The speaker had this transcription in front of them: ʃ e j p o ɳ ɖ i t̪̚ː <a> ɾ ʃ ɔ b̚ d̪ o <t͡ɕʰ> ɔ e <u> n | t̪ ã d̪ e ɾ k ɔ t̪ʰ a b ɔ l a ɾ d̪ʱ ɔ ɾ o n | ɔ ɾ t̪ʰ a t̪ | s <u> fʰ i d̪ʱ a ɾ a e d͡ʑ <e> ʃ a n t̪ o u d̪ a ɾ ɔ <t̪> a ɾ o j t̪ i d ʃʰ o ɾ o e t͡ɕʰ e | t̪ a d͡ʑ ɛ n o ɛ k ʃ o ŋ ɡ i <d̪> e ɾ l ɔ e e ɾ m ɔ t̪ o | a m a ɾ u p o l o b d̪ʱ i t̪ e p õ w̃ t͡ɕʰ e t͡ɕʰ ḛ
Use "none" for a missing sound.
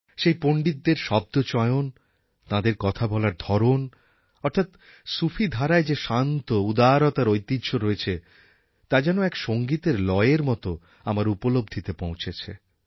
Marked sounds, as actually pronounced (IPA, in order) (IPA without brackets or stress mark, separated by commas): e, t͡ɕ, o, u, e, t̪, t̪